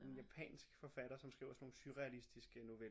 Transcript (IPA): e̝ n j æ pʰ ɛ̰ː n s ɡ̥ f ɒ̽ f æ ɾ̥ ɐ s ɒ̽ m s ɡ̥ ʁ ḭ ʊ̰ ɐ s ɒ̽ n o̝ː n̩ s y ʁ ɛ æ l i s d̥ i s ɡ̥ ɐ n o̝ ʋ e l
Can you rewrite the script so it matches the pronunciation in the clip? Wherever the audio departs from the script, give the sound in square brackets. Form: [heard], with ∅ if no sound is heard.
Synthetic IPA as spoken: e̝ n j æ pʰ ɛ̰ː n s ɡ̥ f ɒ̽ f æ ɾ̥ ɐ s ɒ̽ m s ɡ̥ ʁ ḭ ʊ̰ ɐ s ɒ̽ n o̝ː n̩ s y ʁ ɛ æ l i s d̥ i s ɡ̥ [ə] n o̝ ʋ e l